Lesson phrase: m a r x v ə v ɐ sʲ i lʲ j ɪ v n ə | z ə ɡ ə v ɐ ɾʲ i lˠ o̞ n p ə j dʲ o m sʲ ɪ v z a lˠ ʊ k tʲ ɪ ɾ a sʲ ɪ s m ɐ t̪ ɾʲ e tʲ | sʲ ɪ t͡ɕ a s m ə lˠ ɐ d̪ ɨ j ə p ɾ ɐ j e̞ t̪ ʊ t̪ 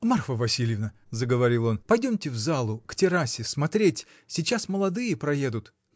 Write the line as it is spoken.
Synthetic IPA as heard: m a r x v ə v ɐ sʲ i lʲ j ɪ v n ə | z ə ɡ ə v ɐ ɾʲ i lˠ o̞ n p ɐ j dʲ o m tʲ ɪ v z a lˠ ʊ k tʲ ɪ ɾ a sʲ ɪ s m ɐ t̪ ɾʲ e tʲ | sʲ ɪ t͡ɕ a s m ə lˠ ɐ d̪ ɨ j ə p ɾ ɐ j e̞ d̪ ʊ t̪